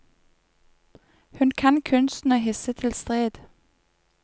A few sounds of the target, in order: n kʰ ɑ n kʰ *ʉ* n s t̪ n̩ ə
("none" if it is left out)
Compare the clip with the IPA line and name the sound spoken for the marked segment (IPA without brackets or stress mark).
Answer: ʉ